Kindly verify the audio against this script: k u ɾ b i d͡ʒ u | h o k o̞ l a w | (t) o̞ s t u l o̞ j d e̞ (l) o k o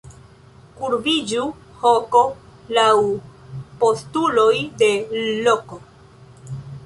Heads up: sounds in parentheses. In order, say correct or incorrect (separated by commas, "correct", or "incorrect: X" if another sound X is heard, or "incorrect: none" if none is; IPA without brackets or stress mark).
incorrect: p, correct